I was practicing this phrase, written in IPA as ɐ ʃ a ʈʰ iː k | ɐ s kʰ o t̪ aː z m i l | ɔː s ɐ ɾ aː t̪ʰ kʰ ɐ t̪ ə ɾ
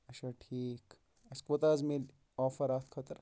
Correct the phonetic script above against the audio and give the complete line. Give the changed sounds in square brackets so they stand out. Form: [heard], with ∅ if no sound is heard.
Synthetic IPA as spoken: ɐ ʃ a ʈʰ iː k | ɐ s [k] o t̪ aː z m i l | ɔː [f] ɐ ɾ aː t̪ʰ kʰ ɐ t̪ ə ɾ